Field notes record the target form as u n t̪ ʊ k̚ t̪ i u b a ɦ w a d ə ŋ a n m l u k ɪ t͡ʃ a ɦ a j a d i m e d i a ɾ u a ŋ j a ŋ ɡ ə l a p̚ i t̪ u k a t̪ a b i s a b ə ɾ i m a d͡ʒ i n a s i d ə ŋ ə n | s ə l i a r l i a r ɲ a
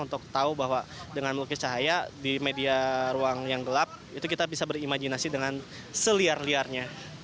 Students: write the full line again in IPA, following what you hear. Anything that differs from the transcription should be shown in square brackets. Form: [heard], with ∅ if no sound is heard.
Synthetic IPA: u n t̪ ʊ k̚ t̪ [a] u b a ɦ w a d ə ŋ a n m l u k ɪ t͡ʃ a ɦ a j a d i m e d i a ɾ u a ŋ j a ŋ ɡ ə l a p̚ i t̪ u k [i] t̪ a b i s a b ə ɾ i m a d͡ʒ i n a s i d ə ŋ [a] n | s ə l i a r l i a r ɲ a